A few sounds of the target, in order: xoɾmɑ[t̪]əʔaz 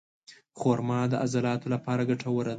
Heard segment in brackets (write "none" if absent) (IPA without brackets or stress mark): d̪